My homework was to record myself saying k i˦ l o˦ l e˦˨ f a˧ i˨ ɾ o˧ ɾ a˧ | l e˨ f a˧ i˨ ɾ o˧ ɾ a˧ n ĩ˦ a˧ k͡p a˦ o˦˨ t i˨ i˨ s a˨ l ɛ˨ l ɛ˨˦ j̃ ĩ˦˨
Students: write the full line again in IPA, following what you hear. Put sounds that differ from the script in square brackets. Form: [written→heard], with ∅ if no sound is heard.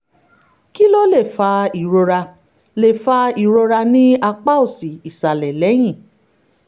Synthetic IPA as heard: k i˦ l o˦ l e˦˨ f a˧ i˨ ɾ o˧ ɾ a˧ | l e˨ f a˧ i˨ ɾ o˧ ɾ a˧ n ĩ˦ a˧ k͡p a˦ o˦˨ [t→s] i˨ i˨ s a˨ l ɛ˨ l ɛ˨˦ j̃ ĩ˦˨